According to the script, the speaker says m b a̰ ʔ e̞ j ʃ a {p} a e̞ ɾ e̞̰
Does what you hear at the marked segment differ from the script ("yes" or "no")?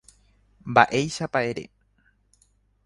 no